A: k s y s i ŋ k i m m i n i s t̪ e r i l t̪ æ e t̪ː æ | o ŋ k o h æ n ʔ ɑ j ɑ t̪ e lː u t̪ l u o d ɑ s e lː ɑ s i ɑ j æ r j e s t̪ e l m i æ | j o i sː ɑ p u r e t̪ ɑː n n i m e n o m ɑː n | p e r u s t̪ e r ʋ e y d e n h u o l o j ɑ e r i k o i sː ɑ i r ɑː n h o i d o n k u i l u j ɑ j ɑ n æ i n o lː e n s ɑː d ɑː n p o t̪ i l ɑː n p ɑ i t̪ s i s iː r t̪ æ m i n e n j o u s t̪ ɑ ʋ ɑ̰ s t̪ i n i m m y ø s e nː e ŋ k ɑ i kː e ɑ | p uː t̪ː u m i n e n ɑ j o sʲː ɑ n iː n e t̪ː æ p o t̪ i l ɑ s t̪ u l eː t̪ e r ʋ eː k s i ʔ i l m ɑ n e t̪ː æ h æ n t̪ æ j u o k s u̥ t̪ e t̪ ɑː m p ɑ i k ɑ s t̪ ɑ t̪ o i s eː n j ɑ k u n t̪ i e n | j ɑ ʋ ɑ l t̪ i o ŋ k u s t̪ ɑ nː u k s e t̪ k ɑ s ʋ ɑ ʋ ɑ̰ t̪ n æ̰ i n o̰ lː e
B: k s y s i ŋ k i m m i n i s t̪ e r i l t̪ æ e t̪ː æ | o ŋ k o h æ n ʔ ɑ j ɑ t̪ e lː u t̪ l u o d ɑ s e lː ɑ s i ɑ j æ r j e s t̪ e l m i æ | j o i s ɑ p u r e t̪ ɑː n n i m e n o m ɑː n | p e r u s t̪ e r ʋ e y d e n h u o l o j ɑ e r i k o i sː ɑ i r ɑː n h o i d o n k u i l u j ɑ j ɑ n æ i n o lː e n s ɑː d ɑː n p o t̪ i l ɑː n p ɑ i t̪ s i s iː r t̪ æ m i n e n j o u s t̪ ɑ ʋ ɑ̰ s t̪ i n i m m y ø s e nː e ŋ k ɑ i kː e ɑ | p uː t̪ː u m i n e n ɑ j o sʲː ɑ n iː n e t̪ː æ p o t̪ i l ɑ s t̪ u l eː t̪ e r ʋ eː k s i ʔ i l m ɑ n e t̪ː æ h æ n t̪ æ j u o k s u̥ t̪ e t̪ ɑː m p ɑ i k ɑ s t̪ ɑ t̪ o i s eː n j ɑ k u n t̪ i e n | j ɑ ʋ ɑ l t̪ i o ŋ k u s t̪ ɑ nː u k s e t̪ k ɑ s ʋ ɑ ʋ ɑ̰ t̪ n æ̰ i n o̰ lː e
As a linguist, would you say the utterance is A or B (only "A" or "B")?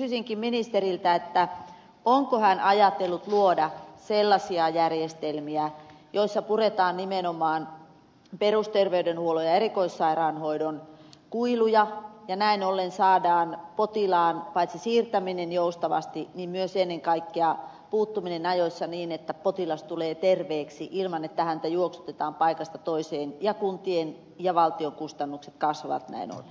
A